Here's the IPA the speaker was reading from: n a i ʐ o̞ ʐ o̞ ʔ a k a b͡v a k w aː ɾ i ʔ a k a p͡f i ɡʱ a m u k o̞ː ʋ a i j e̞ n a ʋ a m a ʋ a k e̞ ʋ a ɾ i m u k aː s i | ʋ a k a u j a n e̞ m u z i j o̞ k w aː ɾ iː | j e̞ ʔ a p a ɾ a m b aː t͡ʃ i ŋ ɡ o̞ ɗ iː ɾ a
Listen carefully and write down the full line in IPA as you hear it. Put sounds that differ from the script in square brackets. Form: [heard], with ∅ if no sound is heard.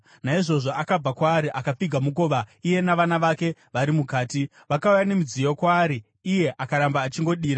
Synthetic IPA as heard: n a i ʐ o̞ ʐ o̞ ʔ a k a b͡v a k w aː ɾ i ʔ a k a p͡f i ɡʱ a m u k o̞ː ʋ a i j e̞ n a ʋ a [n] a ʋ a k e̞ ʋ a ɾ i m u k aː [t] i | ʋ a k a u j a n e̞ m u [d͡z] i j o̞ k w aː ɾ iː | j e̞ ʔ a [k] a ɾ a m b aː t͡ʃ i ŋ ɡ o̞ ɗ iː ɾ a